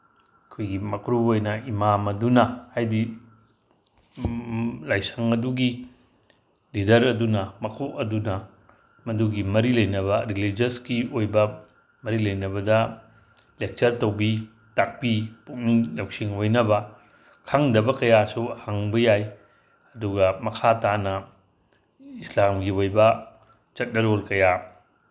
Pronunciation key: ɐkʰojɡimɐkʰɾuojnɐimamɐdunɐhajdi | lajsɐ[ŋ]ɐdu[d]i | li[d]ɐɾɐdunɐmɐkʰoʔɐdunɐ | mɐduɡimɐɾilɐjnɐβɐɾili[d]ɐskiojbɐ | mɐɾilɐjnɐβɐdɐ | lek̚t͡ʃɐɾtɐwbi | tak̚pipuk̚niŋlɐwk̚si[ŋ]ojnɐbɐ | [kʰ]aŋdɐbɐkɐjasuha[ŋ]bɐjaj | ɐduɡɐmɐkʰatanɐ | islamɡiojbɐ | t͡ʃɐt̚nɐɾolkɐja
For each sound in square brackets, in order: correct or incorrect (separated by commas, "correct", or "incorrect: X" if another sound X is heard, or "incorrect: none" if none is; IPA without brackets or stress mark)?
correct, incorrect: ɡ, correct, incorrect: d͡ʒ, correct, correct, correct